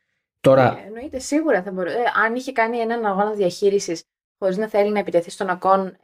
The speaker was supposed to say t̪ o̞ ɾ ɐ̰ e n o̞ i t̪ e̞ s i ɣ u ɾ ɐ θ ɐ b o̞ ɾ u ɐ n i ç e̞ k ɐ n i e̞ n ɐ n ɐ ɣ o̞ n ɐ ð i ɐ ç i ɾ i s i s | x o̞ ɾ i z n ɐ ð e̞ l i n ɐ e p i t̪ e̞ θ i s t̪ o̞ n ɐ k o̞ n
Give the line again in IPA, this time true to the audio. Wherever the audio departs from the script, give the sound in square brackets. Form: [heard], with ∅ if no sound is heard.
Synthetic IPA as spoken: t̪ o̞ ɾ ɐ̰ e n o̞ i t̪ e̞ s i ɣ u ɾ ɐ θ ɐ b o̞ ɾ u ɐ n i ç e̞ k ɐ n i e̞ n ɐ n ɐ ɣ o̞ n ɐ ð i ɐ ç i ɾ i s i s | x o̞ ɾ i z n ɐ [θ] e̞ l i n ɐ e p i t̪ e̞ θ i s t̪ o̞ n ɐ k o̞ n